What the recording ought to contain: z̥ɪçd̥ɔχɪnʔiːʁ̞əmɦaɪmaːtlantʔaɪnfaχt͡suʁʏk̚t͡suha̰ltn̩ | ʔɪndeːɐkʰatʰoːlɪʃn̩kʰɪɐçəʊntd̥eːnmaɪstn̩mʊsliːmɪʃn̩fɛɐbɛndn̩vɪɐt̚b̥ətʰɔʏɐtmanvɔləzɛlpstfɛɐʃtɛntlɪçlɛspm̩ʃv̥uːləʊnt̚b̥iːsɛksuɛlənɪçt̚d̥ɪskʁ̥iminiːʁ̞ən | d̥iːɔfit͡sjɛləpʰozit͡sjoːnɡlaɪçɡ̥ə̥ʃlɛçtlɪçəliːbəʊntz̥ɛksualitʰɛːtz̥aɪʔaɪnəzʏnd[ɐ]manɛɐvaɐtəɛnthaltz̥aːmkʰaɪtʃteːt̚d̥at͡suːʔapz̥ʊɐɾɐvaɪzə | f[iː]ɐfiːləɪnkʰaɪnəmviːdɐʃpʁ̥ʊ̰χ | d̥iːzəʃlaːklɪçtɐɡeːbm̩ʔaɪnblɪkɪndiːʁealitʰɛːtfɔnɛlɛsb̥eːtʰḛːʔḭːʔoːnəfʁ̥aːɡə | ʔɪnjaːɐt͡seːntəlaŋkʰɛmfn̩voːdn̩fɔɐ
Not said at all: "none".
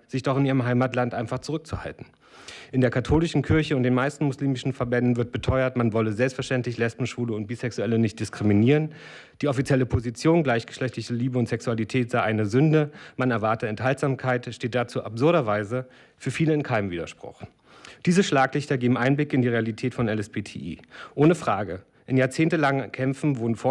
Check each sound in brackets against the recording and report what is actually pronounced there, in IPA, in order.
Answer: ə, yː

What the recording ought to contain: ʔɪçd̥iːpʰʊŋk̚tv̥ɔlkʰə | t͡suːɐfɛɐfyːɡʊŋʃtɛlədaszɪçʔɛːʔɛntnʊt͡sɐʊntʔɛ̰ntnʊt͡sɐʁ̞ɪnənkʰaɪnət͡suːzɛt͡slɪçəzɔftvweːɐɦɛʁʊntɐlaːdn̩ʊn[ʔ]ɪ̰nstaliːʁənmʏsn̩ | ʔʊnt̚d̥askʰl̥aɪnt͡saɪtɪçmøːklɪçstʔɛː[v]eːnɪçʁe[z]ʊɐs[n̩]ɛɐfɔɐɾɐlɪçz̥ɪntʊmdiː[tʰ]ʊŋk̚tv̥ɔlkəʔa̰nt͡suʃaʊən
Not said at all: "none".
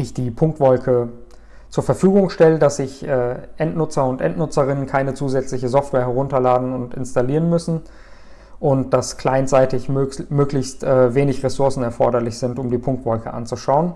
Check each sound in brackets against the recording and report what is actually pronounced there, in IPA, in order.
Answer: t, v, s, n̩, pʰ

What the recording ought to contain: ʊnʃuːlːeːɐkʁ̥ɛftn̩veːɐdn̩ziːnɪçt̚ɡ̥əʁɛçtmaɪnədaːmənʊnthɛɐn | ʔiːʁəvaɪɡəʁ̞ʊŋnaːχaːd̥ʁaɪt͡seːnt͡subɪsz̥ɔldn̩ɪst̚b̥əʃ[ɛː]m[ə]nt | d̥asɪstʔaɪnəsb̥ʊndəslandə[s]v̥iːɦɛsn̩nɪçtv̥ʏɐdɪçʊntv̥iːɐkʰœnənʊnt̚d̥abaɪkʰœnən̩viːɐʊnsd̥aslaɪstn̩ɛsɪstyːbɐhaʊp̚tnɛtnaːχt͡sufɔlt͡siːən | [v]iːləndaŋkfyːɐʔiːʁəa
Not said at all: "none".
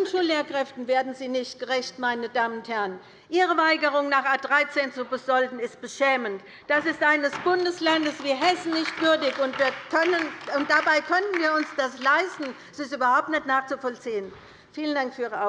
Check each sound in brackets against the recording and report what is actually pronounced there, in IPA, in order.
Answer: ɛː, ə, s, f

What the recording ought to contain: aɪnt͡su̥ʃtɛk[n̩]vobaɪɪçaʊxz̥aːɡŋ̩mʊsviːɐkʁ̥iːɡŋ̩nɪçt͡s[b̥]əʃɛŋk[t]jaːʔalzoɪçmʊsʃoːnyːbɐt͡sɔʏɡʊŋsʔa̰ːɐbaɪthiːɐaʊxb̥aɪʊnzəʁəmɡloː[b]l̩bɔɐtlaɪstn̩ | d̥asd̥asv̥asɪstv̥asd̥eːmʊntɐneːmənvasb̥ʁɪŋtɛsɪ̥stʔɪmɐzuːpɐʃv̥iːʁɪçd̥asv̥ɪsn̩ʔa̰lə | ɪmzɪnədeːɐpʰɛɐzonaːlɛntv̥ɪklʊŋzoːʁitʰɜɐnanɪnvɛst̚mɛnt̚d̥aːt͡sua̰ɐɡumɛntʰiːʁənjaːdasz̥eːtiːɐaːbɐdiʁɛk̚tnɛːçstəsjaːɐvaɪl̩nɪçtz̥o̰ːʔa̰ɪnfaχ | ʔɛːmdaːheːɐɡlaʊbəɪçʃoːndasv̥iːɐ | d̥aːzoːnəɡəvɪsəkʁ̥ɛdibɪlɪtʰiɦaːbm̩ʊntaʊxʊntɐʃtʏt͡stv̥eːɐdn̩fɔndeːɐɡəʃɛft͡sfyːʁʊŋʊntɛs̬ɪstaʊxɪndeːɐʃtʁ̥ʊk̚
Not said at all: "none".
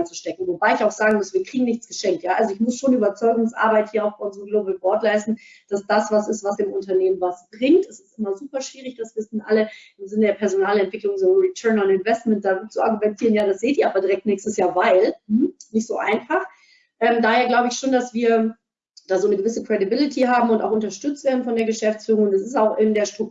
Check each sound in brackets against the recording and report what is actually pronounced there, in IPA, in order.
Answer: ŋ̩, ɡ̥, t, b

